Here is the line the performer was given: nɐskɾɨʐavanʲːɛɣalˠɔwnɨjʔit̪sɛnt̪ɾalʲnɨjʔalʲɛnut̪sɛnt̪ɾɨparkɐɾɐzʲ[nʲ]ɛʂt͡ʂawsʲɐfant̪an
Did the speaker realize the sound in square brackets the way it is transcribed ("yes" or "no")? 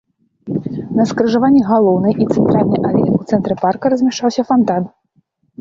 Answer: no